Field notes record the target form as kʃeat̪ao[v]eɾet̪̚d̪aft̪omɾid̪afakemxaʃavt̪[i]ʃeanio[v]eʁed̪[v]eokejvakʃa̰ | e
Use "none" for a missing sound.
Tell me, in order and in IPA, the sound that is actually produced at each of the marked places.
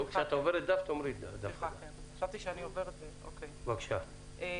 v, i, v, z

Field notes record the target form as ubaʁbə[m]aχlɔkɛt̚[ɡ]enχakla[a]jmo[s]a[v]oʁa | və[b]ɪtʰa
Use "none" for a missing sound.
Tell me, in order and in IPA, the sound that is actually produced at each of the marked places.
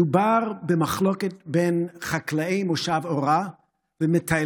m, b, e, ʃ, v, m

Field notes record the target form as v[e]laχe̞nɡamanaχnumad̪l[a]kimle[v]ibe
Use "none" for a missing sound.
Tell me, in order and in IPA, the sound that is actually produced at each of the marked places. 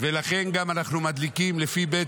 e, i, f

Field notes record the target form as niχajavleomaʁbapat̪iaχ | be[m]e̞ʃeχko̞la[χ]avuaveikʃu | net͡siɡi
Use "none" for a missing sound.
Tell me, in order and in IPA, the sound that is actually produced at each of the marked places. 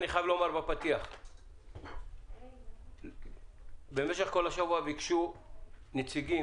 m, ʃ

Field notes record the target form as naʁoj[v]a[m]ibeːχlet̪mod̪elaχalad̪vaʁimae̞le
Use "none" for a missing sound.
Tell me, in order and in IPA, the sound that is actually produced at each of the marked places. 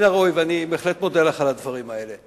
v, n

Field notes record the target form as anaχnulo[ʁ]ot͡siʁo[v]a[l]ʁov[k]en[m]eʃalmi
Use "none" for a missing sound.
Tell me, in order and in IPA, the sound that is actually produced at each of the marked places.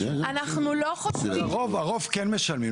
χ, v, none, k, m

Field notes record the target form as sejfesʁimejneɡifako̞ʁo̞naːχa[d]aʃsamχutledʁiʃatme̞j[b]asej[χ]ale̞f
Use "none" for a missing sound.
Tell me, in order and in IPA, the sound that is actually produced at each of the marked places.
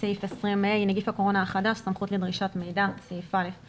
d, d, f

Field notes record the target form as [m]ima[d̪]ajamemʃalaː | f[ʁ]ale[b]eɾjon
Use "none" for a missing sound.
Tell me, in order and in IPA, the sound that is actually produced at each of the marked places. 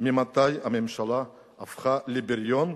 m, t̪, χ, b

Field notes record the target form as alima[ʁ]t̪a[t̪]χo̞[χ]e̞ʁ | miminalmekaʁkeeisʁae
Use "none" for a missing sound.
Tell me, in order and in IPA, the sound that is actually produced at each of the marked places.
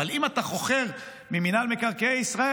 none, none, χ

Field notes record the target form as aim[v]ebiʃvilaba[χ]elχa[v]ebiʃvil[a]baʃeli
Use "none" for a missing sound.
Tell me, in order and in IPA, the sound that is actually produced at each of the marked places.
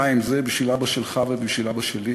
z, ʃ, v, a

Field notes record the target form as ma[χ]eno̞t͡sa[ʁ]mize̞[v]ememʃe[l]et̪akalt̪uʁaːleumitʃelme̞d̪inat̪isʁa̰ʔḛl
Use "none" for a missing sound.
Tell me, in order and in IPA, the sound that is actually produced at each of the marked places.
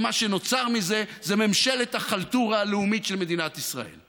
ʃ, ʁ, z, l

